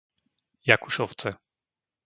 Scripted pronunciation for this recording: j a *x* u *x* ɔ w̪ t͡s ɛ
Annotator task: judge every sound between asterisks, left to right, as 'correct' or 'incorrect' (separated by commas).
incorrect, incorrect